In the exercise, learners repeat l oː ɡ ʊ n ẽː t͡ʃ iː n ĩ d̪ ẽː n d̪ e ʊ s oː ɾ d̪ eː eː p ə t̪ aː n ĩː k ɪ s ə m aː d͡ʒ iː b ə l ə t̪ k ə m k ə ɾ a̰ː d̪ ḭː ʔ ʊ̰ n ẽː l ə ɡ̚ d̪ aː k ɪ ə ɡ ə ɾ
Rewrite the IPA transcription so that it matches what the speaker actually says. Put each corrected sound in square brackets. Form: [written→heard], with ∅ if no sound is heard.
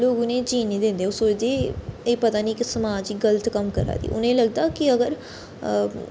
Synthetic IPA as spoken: l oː ɡ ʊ n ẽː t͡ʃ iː n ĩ d̪ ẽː n d̪ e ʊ s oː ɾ d̪ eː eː p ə t̪ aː n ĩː k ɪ s ə m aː d͡ʒ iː [b→ɡ] ə l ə t̪ k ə m k ə ɾ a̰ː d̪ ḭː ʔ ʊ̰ n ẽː l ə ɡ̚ d̪ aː k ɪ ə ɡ ə ɾ